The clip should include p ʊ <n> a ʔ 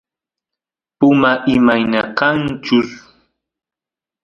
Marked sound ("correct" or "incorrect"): incorrect